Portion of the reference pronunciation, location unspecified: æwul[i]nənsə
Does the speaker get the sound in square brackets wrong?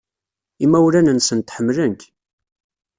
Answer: yes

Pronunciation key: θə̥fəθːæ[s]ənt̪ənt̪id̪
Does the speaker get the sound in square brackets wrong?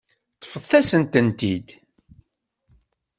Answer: no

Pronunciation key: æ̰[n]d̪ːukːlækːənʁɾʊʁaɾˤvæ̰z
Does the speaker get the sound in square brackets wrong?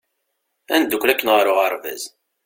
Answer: no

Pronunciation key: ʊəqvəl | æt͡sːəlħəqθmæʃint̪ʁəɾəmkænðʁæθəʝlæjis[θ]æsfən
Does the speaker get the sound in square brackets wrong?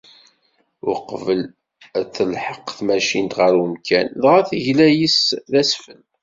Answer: yes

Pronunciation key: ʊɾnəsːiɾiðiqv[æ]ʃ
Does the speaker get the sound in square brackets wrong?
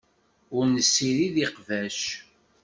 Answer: no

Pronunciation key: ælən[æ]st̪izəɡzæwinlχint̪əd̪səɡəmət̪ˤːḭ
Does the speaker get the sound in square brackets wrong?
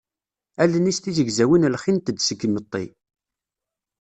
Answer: yes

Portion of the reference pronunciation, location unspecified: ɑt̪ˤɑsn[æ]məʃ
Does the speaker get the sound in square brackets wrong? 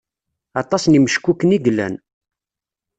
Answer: yes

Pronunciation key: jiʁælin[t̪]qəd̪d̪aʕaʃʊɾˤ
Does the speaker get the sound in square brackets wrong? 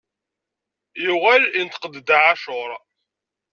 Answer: no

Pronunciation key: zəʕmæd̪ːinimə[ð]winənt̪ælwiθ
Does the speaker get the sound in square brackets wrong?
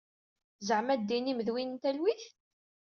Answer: no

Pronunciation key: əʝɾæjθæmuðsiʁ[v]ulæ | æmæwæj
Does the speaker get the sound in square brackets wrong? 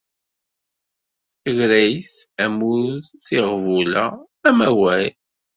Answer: no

